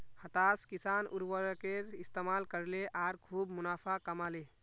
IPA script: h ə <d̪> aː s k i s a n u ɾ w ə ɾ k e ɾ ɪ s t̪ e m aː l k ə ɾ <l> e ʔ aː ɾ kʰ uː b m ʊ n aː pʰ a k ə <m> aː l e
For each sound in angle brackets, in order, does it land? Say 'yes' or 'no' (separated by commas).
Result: no, yes, yes